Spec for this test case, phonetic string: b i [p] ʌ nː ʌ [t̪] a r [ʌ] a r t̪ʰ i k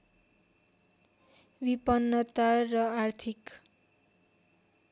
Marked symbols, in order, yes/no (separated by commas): yes, yes, yes